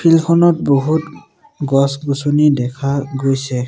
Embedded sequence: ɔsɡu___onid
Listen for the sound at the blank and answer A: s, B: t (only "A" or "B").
A